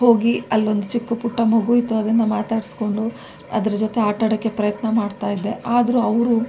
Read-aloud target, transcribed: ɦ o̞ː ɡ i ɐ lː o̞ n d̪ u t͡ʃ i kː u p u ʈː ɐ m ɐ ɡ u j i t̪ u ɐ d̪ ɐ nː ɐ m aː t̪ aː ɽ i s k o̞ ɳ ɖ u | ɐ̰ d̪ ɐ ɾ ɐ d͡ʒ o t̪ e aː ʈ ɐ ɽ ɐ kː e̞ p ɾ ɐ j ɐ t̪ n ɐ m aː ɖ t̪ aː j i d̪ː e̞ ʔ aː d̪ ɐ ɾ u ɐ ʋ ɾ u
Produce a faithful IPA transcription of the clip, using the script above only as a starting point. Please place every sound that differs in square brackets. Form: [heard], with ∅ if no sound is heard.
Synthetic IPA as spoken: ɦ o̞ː ɡ i ɐ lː o̞ n d̪ u t͡ʃ i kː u p u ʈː ɐ m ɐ ɡ u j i t̪ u ɐ d̪ ɐ nː ɐ m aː t̪ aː ɽ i s k o̞ ɳ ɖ u | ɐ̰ d̪ ɐ ɾ ɐ d͡ʒ o t̪ e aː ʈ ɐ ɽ ɐ kː e̞ p ɾ ɐ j ɐ t̪ n ɐ m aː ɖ t̪ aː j i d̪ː e̞ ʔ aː d̪ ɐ ɾ u ɐ ʋ ɾ u